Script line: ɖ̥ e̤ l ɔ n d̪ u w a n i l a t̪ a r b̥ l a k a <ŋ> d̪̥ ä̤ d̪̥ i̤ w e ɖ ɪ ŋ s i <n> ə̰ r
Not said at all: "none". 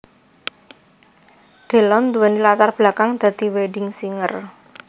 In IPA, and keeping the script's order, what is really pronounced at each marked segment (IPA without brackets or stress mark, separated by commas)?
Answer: ŋ, ŋ